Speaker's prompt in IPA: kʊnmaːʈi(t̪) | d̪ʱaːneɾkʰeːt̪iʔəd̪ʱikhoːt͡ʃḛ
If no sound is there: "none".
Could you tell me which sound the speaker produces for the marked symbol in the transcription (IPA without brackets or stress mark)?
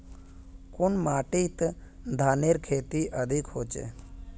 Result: t̪